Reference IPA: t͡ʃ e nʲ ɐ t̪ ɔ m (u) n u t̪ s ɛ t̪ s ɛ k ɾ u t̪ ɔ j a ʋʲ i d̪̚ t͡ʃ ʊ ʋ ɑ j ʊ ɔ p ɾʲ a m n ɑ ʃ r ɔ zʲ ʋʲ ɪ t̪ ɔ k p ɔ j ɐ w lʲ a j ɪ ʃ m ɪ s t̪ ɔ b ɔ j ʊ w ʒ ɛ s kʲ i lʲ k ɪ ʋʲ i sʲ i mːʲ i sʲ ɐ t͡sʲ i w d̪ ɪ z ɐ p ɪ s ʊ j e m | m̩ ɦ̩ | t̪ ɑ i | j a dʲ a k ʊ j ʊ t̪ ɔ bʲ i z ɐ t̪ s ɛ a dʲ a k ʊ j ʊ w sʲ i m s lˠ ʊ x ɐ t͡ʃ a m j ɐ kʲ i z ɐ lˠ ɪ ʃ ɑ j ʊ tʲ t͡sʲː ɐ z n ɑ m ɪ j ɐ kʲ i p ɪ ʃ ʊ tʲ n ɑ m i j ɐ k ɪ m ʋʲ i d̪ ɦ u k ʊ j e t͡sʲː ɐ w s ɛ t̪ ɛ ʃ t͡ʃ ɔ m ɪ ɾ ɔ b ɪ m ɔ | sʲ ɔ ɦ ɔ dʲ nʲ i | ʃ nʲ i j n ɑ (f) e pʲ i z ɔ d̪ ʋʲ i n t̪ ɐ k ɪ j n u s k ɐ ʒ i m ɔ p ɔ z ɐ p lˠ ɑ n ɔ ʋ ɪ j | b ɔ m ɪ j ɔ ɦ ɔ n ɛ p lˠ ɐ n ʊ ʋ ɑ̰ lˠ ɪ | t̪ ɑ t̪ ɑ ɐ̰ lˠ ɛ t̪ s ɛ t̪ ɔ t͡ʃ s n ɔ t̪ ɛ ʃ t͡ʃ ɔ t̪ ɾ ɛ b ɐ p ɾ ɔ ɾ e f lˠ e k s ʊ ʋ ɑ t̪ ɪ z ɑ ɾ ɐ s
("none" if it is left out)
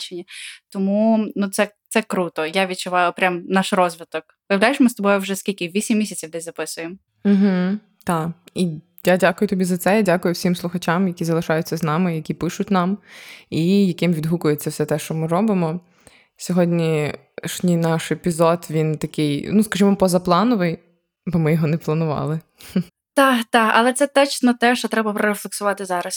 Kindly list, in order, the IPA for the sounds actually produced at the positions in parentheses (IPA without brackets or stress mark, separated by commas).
u, ʃ